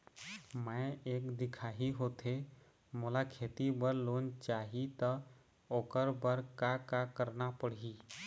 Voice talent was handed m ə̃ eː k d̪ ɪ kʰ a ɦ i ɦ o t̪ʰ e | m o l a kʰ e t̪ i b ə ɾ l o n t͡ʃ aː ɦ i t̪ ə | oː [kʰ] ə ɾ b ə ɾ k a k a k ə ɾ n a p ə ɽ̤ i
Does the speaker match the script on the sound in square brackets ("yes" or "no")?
no